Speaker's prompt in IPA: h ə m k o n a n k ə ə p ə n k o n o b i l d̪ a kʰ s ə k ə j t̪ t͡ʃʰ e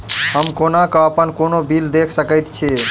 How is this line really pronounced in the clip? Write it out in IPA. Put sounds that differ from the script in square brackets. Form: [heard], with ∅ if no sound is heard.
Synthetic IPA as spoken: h ə m k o n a [∅] k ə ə p ə n k o n o b i l d̪ [e] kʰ s ə k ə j t̪ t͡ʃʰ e